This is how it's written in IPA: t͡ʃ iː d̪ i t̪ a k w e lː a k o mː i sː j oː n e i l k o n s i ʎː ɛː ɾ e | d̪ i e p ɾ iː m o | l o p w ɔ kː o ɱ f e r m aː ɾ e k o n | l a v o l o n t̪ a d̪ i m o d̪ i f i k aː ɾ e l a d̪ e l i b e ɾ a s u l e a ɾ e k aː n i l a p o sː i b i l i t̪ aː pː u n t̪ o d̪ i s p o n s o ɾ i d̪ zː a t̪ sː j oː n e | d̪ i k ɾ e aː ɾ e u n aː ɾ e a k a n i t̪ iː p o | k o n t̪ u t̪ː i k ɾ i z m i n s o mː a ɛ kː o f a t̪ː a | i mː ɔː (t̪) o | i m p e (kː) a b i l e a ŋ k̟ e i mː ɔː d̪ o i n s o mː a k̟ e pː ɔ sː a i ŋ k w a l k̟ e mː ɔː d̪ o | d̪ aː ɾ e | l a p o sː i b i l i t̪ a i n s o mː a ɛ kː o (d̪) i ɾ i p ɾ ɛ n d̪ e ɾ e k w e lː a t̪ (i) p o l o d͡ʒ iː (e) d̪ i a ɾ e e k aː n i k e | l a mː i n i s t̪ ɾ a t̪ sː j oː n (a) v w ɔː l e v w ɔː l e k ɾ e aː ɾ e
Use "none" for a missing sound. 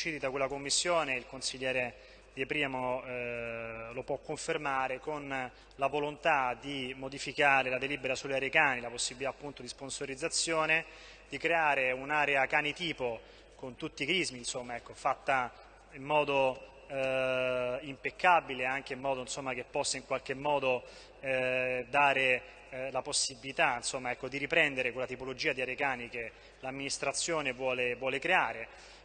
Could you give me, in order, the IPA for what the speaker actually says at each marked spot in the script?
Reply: d̪, kː, d̪, i, a, e

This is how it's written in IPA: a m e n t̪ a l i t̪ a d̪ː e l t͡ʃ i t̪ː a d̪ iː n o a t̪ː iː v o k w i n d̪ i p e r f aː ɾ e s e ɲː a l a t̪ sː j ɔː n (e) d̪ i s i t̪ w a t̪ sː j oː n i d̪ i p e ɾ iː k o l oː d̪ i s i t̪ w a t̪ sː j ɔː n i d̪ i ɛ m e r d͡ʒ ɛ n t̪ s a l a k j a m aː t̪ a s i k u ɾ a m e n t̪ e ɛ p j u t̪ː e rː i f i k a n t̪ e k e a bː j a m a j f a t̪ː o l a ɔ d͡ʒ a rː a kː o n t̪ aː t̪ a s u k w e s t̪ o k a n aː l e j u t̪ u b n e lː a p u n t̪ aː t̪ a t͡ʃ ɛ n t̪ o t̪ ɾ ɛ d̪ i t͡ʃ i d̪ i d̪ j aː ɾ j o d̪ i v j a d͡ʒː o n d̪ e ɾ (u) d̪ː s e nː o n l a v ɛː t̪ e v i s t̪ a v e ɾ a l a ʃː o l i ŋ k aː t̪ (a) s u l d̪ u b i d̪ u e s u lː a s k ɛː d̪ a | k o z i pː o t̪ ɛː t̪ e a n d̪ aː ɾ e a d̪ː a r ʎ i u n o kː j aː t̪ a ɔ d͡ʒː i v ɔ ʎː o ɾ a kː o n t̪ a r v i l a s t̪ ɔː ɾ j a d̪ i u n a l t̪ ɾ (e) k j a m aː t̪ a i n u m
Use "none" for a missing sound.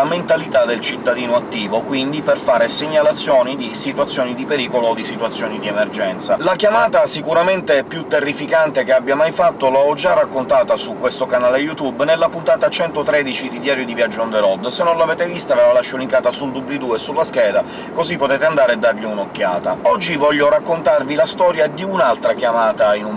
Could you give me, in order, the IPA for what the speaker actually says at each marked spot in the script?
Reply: i, ɔ, a, a

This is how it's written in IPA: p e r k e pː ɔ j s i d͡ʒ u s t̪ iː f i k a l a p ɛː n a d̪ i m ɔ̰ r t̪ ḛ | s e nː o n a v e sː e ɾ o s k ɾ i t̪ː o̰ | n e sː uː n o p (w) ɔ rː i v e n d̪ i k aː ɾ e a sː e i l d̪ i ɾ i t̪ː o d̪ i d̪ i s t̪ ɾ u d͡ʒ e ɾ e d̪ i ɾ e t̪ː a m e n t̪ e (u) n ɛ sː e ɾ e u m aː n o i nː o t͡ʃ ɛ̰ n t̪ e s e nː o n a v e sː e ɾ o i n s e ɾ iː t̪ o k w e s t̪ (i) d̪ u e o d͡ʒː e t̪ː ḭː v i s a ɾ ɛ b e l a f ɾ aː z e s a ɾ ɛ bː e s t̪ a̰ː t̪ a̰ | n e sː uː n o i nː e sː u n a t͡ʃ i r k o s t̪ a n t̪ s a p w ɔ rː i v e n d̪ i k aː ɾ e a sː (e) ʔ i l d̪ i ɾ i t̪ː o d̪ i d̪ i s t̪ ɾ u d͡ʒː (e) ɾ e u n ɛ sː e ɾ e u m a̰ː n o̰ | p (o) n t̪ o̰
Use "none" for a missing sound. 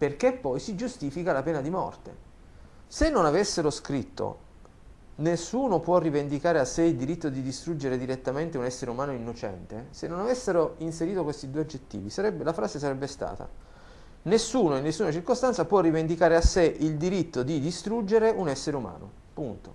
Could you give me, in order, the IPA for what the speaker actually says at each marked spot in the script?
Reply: w, u, i, e, e, u

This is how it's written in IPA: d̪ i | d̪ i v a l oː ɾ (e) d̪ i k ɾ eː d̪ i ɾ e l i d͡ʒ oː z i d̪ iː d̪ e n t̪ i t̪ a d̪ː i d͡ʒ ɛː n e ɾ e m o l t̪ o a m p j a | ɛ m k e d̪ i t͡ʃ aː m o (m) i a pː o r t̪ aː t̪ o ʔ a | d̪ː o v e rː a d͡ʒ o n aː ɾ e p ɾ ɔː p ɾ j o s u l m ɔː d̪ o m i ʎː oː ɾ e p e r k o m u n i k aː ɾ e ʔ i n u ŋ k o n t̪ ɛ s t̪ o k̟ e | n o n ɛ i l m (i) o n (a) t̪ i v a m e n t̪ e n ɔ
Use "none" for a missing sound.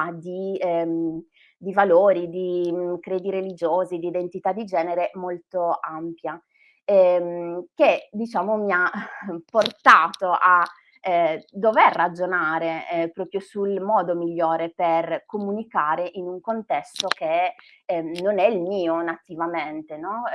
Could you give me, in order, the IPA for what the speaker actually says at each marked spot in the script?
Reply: i, m, iː, a

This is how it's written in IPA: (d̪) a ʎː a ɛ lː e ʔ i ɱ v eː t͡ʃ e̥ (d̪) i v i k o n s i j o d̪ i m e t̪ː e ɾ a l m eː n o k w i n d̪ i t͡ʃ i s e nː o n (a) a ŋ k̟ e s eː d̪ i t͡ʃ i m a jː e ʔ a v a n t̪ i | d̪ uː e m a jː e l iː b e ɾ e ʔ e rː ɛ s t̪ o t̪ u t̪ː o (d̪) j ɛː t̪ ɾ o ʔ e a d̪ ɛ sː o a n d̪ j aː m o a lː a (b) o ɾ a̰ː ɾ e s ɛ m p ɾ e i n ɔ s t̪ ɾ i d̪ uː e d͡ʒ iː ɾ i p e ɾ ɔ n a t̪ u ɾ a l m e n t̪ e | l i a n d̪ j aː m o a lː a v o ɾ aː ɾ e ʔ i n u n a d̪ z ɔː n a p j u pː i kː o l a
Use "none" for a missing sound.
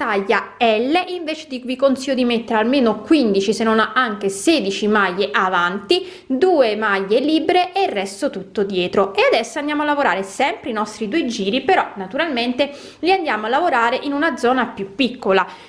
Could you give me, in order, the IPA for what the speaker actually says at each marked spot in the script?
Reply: t̪, d̪, a, d̪, v

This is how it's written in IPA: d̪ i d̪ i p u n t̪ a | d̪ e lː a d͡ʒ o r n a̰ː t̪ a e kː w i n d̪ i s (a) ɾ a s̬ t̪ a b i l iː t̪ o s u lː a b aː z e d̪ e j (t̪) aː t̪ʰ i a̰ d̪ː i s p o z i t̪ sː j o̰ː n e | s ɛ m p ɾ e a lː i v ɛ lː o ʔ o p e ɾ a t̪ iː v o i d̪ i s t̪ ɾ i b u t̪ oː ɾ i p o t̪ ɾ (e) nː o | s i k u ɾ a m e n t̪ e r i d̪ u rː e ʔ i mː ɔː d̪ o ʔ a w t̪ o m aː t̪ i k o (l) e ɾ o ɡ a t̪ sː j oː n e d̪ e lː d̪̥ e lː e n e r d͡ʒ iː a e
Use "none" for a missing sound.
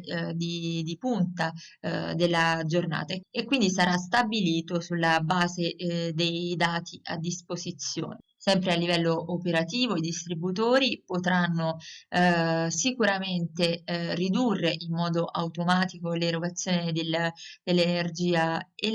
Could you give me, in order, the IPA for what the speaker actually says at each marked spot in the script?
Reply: a, d̪, a, l

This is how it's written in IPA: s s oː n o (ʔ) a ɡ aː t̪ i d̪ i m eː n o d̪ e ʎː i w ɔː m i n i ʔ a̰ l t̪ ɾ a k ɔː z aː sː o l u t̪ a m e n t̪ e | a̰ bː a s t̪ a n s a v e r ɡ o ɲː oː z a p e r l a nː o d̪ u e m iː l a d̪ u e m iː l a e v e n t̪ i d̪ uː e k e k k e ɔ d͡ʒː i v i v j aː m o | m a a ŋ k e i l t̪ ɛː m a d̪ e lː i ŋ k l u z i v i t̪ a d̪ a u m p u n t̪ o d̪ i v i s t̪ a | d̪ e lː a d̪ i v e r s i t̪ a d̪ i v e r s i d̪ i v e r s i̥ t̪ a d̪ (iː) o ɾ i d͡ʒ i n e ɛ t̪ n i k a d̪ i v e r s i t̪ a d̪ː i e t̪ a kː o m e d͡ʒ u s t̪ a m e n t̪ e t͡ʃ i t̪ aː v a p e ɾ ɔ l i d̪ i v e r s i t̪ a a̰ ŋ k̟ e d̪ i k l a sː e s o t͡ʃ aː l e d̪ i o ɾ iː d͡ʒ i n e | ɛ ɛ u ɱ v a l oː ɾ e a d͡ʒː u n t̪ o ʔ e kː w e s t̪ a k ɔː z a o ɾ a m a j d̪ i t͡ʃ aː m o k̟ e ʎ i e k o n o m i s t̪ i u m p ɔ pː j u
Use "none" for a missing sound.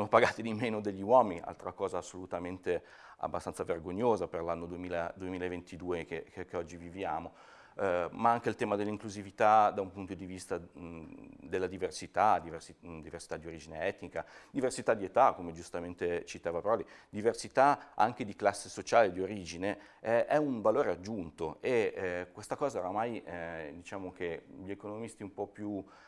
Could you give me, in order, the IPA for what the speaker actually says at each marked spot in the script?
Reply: p, i

